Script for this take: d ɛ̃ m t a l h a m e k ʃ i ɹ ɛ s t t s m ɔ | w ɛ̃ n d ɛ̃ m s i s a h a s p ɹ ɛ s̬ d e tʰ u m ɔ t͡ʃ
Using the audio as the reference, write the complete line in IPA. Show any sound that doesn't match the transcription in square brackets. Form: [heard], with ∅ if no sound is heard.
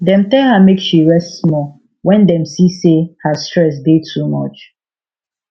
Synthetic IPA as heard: d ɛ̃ m t [ɛ] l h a m e k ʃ i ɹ ɛ s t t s m ɔ | w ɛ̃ n d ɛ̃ m s i s [e] h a s [t] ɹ ɛ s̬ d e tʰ u m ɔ t͡ʃ

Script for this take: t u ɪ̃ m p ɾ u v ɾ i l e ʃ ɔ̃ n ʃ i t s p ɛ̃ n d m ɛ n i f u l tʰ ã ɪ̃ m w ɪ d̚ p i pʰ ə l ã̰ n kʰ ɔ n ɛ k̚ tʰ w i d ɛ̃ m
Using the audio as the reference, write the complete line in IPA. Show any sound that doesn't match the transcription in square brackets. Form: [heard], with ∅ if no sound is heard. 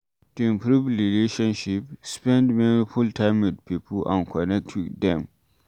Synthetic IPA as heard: t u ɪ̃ m p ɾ u v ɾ i l e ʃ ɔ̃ n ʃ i [p] s p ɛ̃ n d m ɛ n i f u l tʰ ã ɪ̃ m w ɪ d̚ p i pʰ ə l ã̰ n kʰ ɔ n ɛ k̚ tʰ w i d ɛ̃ m

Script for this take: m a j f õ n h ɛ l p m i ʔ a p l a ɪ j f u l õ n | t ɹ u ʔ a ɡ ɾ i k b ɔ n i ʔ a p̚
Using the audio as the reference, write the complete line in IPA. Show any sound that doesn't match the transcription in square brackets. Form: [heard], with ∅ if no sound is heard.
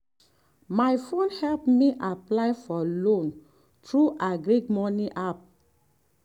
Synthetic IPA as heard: m a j f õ n h ɛ l p m i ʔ a p l a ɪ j f [ɔ] l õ n | t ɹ u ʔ a ɡ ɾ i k [m] ɔ n i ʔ a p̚

